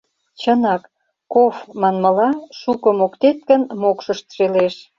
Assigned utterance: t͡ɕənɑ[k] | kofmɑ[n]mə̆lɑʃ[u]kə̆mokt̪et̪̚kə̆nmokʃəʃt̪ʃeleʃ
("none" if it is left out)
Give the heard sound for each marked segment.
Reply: k, n, u

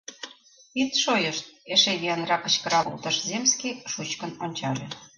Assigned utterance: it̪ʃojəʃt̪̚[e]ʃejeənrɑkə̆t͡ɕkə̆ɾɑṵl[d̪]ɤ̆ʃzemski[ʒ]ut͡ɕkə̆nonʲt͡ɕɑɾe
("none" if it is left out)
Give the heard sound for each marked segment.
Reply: e, t̪, ʃ

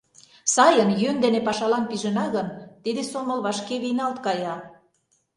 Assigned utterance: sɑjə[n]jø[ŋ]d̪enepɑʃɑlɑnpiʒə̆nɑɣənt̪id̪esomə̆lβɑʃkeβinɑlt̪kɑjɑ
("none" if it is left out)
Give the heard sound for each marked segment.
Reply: n, n

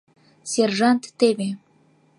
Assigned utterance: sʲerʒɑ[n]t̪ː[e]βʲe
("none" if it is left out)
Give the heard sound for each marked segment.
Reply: n, e

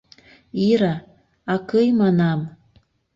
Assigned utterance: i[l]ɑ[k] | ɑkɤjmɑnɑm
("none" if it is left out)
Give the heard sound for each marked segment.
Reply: ɾ, none

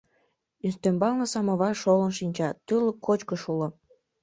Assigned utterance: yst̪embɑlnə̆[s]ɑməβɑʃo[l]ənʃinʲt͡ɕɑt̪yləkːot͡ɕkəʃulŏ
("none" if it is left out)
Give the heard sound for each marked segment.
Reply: s, l

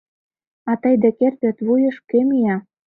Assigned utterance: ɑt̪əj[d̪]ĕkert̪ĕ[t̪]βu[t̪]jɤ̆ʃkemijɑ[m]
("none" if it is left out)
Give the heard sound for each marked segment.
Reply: d̪, t̪, none, none

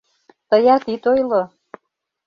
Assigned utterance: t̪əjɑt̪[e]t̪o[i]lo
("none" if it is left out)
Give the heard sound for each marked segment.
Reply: i, j

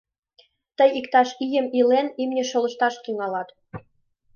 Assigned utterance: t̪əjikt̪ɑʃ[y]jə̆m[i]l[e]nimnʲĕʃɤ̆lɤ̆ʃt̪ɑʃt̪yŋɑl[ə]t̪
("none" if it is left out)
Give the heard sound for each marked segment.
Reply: i, i, e, ɑ

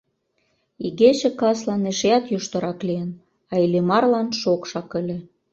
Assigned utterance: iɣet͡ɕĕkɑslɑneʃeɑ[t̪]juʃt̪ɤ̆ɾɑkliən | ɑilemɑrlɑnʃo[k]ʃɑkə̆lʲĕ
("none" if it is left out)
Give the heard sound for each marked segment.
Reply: t̪, k

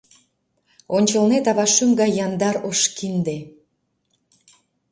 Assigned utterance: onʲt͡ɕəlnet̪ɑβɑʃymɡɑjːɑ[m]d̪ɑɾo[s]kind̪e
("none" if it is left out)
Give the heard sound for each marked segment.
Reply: n, ʃ

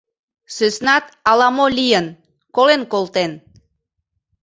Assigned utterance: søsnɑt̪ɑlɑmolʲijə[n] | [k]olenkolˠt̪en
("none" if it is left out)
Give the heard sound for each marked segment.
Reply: n, k

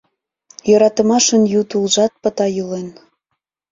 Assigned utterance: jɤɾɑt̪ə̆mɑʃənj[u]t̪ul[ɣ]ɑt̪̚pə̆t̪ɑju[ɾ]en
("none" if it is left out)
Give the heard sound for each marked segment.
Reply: u, ʒ, l

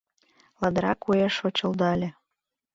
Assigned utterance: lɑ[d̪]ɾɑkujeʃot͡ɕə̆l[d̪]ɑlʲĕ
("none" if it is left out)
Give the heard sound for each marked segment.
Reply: d̪, d̪

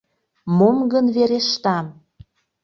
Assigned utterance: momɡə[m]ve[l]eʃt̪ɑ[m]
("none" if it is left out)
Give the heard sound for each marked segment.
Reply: n, ɾ, m

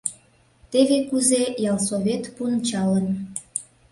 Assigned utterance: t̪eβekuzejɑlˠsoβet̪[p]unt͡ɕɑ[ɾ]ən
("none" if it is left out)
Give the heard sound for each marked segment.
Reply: p, l

